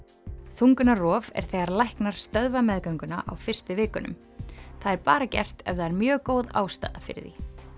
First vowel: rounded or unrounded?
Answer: rounded